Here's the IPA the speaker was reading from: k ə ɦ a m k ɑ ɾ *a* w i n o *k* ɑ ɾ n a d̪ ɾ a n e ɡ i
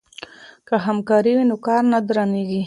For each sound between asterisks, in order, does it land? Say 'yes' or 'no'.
no, yes

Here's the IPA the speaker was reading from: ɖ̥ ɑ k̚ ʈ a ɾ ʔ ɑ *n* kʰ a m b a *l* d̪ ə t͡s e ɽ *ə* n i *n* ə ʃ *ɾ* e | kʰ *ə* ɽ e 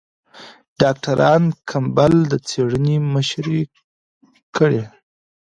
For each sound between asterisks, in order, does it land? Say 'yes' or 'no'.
yes, yes, yes, no, yes, yes

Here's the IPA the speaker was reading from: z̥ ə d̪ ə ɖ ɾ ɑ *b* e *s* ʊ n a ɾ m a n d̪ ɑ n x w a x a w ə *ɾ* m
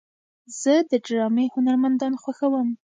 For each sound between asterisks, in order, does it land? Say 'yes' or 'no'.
no, no, no

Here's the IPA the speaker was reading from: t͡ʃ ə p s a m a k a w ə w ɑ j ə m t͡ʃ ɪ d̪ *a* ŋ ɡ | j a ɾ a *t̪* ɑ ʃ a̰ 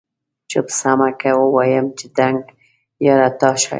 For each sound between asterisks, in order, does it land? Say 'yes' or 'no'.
yes, yes

